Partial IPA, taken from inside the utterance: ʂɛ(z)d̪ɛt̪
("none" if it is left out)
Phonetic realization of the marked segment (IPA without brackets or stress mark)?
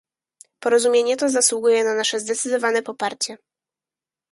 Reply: z